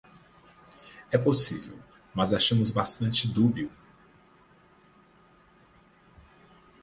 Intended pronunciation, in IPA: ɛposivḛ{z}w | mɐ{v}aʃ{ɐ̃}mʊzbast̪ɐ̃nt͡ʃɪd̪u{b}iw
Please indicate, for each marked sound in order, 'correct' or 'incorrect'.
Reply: incorrect: none, incorrect: z, correct, correct

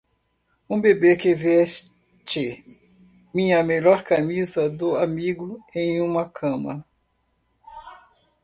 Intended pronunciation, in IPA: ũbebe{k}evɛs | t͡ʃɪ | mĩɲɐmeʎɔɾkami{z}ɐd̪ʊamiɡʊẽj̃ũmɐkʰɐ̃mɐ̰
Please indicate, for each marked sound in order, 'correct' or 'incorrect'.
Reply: correct, correct

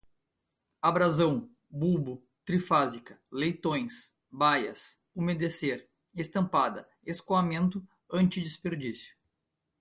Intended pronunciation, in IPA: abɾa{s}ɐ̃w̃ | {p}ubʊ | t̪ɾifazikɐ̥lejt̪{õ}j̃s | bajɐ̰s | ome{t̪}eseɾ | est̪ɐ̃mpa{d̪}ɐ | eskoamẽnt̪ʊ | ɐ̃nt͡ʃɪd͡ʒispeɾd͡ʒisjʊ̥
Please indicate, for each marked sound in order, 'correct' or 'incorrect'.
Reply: incorrect: z, incorrect: b, correct, incorrect: d̪, correct

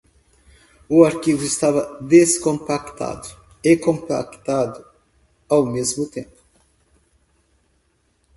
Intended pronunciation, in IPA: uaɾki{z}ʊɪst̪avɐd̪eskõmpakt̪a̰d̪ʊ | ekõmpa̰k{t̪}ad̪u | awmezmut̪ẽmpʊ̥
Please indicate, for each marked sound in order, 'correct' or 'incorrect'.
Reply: incorrect: v, correct

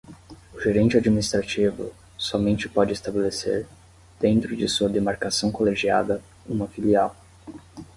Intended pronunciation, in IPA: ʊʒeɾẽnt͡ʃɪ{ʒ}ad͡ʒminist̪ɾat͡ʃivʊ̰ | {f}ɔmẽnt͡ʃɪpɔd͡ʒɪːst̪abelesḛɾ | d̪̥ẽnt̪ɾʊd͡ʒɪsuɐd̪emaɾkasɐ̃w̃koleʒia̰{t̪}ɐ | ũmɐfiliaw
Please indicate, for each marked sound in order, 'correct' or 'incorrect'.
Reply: incorrect: none, incorrect: s, incorrect: d̪

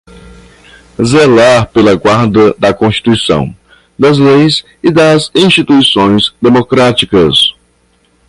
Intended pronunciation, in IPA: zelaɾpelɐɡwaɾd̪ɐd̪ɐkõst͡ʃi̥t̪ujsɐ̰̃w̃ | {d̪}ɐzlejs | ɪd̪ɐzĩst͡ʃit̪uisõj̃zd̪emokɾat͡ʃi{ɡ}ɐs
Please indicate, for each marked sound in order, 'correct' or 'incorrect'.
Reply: correct, incorrect: k

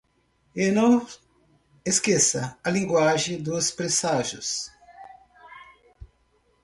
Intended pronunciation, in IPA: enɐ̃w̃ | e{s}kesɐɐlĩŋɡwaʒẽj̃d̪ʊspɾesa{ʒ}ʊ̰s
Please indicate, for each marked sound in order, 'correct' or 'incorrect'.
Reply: correct, correct

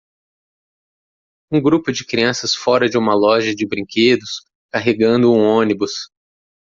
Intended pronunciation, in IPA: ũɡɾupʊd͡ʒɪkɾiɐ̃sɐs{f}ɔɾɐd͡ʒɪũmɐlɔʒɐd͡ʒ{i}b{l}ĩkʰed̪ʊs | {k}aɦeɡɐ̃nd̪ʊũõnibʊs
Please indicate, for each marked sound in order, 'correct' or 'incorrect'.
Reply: correct, incorrect: ɪ, incorrect: ɾ, correct

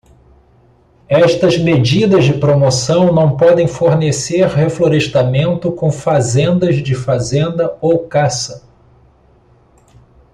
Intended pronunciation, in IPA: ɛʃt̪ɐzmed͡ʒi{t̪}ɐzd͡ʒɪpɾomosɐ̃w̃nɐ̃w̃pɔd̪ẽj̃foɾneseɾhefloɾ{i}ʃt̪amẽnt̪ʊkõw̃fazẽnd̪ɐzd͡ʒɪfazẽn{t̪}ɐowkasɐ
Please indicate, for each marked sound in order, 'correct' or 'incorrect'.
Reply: incorrect: d̪, incorrect: e, incorrect: d̪

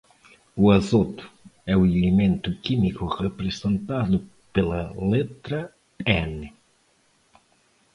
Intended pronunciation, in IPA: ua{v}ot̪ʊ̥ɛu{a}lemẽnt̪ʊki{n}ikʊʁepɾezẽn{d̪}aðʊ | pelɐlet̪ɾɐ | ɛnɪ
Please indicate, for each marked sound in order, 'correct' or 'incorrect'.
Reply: incorrect: z, incorrect: e, incorrect: m, incorrect: t̪

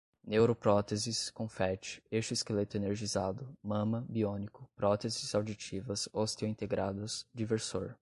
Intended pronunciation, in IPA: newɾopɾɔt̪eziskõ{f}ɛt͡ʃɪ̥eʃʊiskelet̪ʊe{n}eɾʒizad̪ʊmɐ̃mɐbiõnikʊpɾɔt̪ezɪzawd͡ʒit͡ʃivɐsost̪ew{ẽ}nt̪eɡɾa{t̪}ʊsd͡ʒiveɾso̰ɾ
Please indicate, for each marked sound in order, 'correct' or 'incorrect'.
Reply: correct, correct, incorrect: ĩ, incorrect: d̪

